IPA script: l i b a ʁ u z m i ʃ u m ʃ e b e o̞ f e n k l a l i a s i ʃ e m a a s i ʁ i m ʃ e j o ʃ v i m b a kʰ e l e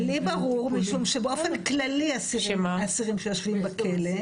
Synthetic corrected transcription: l i b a ʁ u ʁ m i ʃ u m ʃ e b e o̞ f e n k l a l i a s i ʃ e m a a s i ʁ i m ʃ e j o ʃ v i m b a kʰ e l e